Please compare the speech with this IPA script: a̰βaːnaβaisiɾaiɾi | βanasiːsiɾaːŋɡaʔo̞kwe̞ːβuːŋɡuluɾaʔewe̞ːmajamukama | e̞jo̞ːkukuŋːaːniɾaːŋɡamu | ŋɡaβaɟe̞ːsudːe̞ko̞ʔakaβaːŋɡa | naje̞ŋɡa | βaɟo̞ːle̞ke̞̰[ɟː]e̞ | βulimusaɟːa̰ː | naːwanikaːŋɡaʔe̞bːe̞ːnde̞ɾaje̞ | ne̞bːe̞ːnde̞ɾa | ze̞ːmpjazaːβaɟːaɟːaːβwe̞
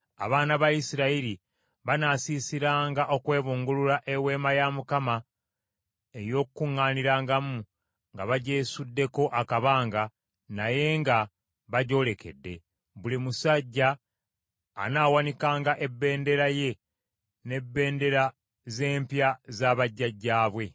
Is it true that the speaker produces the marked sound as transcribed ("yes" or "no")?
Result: no